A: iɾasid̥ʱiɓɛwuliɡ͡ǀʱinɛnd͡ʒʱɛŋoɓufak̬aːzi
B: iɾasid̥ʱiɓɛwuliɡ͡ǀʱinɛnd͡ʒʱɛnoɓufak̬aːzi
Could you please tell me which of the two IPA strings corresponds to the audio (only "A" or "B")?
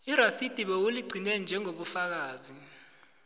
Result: A